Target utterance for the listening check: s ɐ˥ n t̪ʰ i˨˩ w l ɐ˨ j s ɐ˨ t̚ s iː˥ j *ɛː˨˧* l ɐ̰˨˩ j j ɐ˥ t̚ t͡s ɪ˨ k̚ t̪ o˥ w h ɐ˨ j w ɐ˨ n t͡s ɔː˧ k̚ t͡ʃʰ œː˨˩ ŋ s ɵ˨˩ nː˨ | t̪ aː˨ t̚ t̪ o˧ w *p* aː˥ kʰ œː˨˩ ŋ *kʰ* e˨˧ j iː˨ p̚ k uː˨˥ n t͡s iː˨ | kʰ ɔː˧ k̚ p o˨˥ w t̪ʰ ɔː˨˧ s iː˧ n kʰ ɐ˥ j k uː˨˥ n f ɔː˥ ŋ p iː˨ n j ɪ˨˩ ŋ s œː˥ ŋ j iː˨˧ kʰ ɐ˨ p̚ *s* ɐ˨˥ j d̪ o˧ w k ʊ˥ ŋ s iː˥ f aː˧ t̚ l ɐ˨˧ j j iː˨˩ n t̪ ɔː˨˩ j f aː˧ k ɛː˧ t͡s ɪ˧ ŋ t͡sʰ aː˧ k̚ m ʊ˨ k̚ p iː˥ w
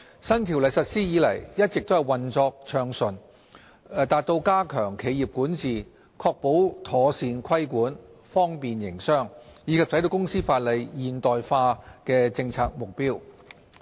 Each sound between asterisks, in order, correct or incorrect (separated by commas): incorrect, incorrect, correct, correct